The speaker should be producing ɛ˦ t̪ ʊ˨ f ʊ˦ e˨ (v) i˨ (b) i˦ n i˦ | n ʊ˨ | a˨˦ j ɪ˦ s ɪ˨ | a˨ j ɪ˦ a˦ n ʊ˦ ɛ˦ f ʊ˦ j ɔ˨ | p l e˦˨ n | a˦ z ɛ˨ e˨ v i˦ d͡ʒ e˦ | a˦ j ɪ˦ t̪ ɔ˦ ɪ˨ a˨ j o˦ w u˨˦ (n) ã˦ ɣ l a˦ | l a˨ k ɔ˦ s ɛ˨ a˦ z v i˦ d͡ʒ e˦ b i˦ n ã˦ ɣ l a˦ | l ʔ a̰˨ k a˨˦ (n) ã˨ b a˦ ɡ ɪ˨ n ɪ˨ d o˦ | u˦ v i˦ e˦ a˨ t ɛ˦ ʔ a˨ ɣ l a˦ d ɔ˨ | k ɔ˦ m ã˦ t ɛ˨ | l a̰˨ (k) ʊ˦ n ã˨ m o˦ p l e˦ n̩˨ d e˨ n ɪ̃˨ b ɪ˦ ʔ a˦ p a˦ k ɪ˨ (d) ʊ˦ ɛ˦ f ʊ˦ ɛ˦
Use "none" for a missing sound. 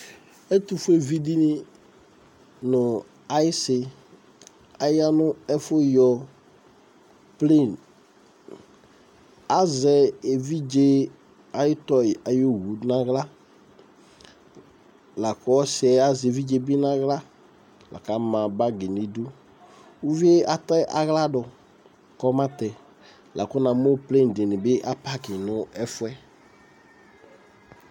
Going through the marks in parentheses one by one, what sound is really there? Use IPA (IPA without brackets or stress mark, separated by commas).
v, d, n, m, k, n